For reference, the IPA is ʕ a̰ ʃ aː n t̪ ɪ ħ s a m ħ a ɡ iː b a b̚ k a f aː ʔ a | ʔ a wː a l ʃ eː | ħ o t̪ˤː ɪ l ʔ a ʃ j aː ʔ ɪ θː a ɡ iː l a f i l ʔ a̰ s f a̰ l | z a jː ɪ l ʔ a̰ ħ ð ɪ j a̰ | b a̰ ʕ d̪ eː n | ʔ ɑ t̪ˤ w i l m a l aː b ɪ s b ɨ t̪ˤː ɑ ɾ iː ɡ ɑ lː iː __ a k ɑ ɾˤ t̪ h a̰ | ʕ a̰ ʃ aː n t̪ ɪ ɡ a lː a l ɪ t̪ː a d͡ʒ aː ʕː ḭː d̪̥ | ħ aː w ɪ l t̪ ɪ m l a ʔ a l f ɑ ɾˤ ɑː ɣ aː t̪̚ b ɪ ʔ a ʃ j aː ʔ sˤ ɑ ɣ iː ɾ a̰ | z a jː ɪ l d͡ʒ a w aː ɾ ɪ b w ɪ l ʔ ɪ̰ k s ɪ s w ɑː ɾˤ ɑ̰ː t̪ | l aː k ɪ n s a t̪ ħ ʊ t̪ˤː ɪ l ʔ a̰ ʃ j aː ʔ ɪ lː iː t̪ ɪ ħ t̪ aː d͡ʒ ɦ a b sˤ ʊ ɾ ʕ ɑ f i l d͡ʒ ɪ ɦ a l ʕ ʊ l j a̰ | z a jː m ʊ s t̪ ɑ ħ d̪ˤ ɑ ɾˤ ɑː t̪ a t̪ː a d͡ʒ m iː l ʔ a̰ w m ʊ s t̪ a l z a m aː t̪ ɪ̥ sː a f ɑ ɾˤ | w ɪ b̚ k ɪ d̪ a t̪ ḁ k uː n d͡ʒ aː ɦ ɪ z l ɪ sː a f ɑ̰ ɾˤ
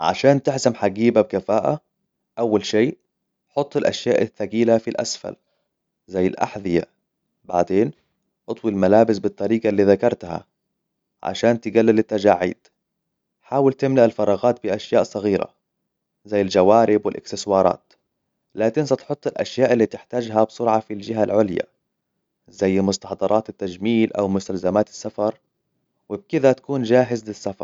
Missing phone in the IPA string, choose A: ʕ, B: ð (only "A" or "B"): B